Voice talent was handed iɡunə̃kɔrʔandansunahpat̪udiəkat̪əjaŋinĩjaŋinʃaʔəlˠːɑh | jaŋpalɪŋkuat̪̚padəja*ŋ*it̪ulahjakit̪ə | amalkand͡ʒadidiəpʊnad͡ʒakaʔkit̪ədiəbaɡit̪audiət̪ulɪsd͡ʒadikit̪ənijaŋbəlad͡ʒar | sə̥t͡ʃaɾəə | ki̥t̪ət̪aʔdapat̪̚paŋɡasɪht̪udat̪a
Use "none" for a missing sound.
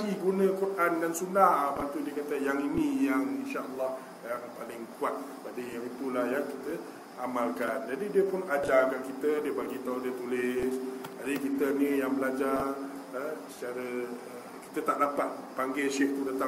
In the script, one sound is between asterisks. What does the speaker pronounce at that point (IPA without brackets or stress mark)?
ŋ